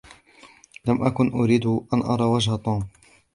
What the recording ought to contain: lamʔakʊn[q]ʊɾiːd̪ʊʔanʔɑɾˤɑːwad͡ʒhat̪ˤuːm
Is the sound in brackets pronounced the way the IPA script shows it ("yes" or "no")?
no